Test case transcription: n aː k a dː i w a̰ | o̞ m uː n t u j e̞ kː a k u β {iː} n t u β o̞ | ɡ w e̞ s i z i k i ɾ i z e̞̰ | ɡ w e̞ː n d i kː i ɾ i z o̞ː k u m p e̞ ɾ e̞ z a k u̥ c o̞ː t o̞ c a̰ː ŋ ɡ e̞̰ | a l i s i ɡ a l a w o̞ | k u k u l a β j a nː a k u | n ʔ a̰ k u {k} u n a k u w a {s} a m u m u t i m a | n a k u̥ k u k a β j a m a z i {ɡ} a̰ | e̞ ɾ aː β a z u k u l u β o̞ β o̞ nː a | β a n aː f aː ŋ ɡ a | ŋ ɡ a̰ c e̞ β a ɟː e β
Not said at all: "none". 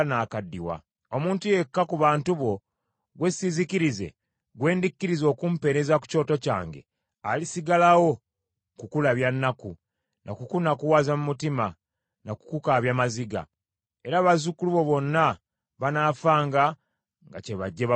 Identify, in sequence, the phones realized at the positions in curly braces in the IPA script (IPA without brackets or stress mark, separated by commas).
aː, k, z, ɡ